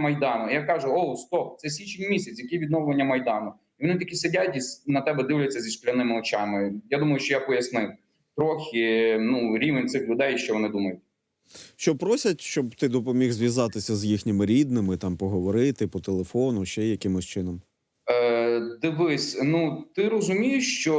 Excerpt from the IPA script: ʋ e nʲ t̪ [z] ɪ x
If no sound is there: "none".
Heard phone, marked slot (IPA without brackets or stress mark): s